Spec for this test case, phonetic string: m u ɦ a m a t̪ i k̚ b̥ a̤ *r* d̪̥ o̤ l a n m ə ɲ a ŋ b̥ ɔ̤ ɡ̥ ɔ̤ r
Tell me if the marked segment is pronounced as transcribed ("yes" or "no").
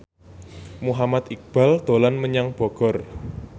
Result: no